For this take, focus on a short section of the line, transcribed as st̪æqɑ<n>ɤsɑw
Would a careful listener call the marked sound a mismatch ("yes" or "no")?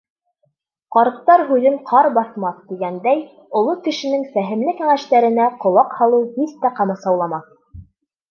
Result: yes